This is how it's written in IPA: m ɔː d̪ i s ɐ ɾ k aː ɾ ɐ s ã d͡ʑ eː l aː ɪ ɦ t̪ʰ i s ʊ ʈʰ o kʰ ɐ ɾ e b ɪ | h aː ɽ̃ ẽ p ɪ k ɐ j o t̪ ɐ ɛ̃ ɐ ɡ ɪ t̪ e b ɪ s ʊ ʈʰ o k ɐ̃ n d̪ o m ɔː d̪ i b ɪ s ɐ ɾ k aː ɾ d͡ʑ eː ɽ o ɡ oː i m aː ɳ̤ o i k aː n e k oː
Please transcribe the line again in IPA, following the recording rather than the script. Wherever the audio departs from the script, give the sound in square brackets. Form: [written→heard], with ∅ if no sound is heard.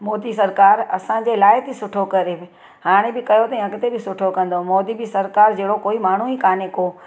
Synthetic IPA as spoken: m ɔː d̪ i s ɐ ɾ k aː ɾ ɐ s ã d͡ʑ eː l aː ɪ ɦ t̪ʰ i s ʊ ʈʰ o [kʰ→k] ɐ ɾ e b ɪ | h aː ɽ̃ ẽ [p→b] ɪ k ɐ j o t̪ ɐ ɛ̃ ɐ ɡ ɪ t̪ e b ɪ s ʊ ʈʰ o k ɐ̃ n d̪ o m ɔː d̪ i b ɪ s ɐ ɾ k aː ɾ d͡ʑ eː ɽ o [ɡ→k] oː i m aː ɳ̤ [o→u] i k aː n e k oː